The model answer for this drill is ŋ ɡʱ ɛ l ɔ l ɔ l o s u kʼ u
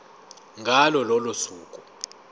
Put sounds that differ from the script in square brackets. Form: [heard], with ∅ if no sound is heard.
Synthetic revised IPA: ŋ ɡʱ [a] l ɔ l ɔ l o s [uː] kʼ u